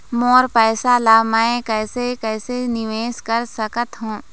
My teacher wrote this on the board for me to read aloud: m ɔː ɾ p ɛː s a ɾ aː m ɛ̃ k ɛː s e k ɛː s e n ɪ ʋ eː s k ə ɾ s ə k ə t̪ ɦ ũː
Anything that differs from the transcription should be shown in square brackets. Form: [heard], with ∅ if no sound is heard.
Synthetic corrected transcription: m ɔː ɾ p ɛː s a [l] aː m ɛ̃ k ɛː s e k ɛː s e n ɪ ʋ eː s k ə ɾ s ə k ə t̪ ɦ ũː